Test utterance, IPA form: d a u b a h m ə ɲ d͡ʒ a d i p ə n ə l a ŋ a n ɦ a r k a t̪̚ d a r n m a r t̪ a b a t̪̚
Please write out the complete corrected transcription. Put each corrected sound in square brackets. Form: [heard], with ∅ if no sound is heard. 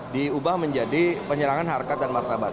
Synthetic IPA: d [i] u b a h m ə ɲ d͡ʒ a d i p ə [ɲ] ə [ɾ] a ŋ a n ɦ a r k a t̪̚ d a [∅] n m a r t̪ a b a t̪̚